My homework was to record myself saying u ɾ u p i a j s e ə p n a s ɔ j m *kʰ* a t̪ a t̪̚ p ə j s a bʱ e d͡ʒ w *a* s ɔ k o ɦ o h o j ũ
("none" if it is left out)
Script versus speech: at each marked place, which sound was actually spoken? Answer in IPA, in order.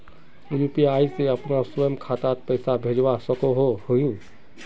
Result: kʰ, a

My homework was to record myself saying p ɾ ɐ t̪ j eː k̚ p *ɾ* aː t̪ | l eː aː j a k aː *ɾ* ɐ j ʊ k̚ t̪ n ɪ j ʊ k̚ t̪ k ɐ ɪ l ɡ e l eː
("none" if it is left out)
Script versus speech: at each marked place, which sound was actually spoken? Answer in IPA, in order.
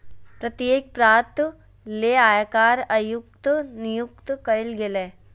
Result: ɾ, ɾ

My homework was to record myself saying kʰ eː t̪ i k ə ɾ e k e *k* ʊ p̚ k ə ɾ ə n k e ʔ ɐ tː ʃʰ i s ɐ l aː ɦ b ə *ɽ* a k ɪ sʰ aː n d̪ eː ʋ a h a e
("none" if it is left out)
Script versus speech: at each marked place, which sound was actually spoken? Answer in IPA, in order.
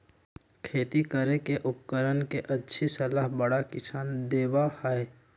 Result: ʔ, ɽ

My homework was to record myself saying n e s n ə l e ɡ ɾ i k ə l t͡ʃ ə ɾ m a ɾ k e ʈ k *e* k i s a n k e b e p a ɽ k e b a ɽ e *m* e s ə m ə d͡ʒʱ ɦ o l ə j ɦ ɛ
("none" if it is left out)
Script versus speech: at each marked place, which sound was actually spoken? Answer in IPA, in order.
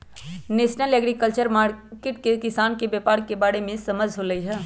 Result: e, m

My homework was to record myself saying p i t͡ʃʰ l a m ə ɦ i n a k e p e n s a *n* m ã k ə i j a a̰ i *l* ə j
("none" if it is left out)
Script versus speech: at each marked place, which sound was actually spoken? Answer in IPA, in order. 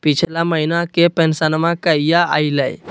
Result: n, l

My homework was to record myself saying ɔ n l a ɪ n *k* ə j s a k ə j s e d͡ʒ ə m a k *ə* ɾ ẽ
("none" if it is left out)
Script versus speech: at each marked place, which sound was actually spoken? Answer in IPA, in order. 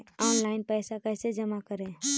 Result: p, ə

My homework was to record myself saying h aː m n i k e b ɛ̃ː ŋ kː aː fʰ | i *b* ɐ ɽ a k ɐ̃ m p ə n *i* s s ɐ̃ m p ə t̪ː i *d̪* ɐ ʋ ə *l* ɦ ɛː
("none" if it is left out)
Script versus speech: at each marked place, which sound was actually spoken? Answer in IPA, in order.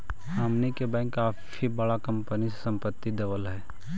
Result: b, i, d̪, l

